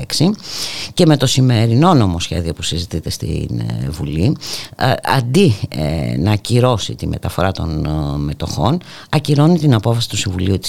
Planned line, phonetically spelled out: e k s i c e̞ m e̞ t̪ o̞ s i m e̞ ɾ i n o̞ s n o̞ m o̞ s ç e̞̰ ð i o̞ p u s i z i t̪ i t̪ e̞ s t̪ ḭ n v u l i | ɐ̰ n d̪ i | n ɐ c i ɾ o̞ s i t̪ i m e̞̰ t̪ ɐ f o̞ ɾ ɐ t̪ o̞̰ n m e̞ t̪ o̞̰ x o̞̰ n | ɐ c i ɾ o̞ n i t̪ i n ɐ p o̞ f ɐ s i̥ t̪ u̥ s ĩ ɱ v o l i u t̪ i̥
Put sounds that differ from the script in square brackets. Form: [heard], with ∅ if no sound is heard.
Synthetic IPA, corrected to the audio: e k s i c e̞ m e̞ t̪ o̞ s i m e̞ ɾ i n o̞ [∅] n o̞ m o̞ s ç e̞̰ ð i o̞ p u s i z i t̪ i t̪ e̞ s t̪ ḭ n v u l i | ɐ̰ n d̪ i | n ɐ c i ɾ o̞ s i t̪ i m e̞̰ t̪ ɐ f o̞ ɾ ɐ t̪ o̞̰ n m e̞ t̪ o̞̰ x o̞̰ n | ɐ c i ɾ o̞ n i t̪ i n ɐ p o̞ f ɐ s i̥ t̪ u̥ s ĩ ɱ v [u] l i u t̪ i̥